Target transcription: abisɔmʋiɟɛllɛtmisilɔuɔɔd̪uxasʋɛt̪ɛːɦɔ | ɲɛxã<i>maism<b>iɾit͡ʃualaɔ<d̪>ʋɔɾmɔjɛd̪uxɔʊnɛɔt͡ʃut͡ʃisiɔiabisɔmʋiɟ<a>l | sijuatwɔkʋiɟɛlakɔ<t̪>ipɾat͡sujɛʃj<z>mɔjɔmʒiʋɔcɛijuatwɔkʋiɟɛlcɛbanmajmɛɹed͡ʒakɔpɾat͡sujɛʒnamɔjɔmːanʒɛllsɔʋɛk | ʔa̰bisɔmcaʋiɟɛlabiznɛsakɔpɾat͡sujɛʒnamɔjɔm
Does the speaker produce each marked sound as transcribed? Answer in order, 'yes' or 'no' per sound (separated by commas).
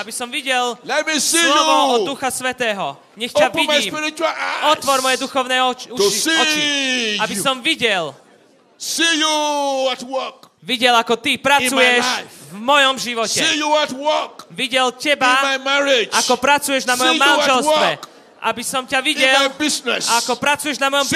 yes, no, no, no, yes, no